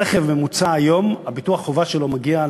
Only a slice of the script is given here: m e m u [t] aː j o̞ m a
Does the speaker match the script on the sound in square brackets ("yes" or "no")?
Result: no